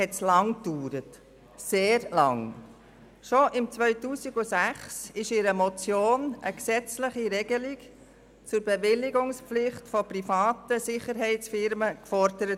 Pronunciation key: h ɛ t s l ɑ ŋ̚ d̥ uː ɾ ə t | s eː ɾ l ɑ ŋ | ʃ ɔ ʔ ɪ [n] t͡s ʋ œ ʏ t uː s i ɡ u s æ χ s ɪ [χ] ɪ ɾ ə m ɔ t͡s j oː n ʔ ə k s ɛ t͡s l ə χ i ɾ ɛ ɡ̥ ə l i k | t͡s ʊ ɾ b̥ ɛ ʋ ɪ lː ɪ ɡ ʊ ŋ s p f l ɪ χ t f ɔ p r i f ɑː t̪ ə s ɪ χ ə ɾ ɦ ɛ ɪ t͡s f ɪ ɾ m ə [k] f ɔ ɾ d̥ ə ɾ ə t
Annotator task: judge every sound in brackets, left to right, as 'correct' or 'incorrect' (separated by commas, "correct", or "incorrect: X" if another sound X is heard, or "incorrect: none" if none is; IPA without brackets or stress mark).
incorrect: m, incorrect: ʃ, correct